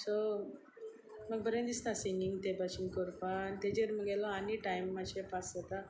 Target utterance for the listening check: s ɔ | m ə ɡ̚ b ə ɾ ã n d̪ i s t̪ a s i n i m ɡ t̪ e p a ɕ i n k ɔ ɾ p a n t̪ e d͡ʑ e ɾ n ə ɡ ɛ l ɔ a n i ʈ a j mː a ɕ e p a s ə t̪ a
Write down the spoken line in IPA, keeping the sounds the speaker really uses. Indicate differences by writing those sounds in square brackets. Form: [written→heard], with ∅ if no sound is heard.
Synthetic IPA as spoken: s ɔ | m ə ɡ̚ b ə ɾ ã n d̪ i s t̪ a s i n i [m→ŋ] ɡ t̪ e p a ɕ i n k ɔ ɾ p a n t̪ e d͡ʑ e ɾ [n→m] ə ɡ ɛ l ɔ a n i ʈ a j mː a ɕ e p a s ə t̪ a

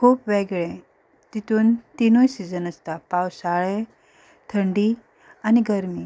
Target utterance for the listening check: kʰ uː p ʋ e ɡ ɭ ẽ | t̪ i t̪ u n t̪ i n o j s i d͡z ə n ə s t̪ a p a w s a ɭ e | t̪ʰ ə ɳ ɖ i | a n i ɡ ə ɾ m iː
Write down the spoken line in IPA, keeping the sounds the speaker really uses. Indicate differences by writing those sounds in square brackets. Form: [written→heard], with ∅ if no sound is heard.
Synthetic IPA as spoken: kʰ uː p ʋ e ɡ ɭ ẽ | t̪ i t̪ [u→uː] n t̪ i n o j s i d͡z ə n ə s t̪ a p a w s a ɭ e | t̪ʰ ə ɳ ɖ i | a n i ɡ ə ɾ m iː

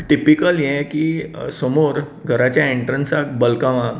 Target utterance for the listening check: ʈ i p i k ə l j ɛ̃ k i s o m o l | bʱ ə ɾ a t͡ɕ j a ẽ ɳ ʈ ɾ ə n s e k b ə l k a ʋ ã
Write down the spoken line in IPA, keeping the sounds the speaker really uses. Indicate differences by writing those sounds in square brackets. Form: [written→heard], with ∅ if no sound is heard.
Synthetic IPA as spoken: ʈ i p i k ə l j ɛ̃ k i s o m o [l→ɾ] | [bʱ→ɡʱ] ə ɾ a t͡ɕ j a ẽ ɳ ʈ ɾ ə n s [e→a] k b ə l k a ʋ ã

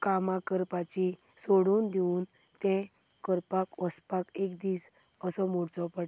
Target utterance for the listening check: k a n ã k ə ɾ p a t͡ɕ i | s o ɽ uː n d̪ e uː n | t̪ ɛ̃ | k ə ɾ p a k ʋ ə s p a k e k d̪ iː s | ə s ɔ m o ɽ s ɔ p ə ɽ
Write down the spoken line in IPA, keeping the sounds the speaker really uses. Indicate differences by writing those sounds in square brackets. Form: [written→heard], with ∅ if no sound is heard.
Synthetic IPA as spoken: k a [n→m] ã k ə ɾ p a t͡ɕ i | s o ɽ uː n d̪ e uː n | t̪ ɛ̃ | k ə ɾ p a k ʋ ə s p a k e k d̪ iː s | ə s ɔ m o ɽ [s→t͡s] ɔ p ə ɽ

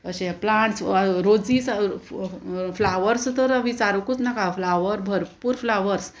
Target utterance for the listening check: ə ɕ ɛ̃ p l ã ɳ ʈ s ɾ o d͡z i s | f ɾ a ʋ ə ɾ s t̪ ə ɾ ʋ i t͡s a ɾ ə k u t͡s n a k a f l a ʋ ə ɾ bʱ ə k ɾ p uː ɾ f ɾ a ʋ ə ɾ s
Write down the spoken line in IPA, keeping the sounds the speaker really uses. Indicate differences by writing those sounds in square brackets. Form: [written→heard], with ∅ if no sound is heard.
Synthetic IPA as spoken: ə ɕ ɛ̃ p l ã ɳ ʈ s ɾ o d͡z i s | f [ɾ→l] a ʋ ə ɾ s t̪ ə ɾ ʋ i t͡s a ɾ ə k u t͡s n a k a f l a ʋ ə ɾ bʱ ə [k→∅] ɾ p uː ɾ f [ɾ→l] a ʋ ə ɾ s

